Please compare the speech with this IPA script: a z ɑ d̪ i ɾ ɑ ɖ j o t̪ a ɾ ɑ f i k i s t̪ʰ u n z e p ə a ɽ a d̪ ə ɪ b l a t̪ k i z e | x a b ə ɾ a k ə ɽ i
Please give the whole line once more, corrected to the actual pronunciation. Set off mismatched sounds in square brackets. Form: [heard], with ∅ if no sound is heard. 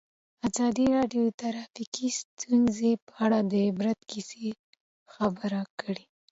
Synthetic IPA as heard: a z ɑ d̪ i ɾ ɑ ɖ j o t̪ a ɾ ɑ f i k i s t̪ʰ u n z e p ə a ɽ a d̪ ə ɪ b [ɾ] a t̪ k i [s] e | x a b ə ɾ a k ə ɽ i